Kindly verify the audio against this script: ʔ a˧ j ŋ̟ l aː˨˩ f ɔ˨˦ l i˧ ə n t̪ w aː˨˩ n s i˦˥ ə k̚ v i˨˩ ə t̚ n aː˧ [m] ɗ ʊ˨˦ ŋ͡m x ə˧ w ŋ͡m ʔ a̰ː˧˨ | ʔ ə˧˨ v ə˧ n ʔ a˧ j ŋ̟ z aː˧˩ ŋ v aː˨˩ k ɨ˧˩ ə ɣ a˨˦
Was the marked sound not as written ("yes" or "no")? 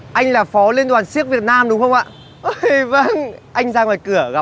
no